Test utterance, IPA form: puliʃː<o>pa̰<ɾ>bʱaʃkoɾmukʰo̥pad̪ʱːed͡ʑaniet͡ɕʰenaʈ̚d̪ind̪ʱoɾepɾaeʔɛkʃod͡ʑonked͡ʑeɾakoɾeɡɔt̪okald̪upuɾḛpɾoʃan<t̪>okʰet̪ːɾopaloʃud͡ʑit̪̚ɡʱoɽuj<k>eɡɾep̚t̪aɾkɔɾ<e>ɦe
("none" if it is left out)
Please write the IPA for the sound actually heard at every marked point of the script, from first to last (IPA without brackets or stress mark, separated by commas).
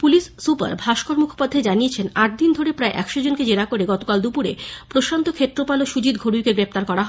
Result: u, ɾ, t̪, k, a